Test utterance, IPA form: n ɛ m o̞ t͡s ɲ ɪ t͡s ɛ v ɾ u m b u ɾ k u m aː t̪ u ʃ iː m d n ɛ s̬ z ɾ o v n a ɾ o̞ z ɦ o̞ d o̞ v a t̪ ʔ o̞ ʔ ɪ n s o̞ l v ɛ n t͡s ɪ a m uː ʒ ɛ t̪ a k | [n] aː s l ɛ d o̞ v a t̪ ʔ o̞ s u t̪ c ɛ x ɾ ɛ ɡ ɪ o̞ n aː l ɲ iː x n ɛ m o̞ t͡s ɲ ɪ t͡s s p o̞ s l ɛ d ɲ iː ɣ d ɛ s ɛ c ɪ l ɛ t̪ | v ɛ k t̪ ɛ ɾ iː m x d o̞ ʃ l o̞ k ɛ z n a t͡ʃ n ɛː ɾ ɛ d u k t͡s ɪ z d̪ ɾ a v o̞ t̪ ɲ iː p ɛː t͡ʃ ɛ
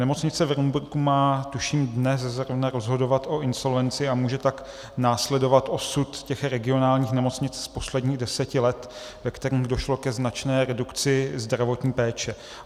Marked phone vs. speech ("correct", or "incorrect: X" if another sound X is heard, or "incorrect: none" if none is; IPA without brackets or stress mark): correct